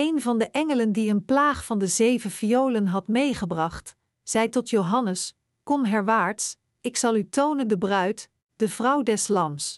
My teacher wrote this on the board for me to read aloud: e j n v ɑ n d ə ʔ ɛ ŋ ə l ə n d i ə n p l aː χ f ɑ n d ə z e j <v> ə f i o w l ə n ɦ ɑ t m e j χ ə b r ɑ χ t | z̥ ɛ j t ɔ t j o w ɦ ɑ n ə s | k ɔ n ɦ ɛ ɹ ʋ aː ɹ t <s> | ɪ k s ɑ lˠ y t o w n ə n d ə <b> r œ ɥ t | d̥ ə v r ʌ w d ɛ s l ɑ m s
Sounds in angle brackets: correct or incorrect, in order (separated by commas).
correct, correct, correct